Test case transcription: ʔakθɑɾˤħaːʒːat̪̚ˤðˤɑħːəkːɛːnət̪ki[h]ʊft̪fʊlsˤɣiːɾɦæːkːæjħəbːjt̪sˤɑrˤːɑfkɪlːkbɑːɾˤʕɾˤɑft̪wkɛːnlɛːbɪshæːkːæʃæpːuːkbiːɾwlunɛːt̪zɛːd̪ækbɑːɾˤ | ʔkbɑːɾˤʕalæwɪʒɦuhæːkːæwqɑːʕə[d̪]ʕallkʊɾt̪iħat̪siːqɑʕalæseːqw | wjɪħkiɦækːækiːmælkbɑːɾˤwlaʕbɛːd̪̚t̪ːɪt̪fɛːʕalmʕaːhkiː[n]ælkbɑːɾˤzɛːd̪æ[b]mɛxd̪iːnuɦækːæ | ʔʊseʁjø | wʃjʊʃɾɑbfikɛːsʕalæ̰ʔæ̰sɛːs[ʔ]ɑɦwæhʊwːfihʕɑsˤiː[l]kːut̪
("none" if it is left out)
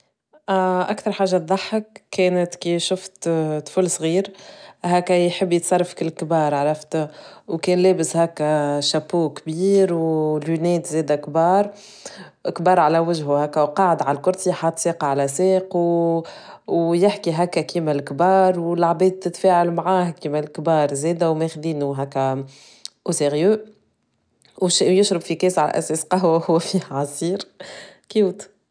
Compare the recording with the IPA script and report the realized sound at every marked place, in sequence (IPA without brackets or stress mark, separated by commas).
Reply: ʃ, d̪, m, w, q, ɾ